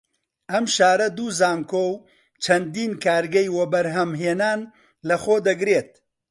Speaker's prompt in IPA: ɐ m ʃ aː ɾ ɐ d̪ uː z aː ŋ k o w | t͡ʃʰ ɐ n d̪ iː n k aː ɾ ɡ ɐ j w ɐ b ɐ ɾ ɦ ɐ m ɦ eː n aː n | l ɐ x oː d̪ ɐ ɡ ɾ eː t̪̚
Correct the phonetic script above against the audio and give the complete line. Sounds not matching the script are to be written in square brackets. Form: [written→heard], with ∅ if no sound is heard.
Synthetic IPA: ɐ m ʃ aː ɾ ɐ d̪ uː z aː ŋ k o w | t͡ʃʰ ɐ n d̪ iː n k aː ɾ ɡ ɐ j w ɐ b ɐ ɾ ɦ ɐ m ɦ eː n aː n | l ɐ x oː d̪ ɐ ɡ ɾ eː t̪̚